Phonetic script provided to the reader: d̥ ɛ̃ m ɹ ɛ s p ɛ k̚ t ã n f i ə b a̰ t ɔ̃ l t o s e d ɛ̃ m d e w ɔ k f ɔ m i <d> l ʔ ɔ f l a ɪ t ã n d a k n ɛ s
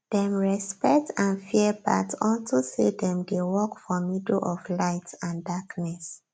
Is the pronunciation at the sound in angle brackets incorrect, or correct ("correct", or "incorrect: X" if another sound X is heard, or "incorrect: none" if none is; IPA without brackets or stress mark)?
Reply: correct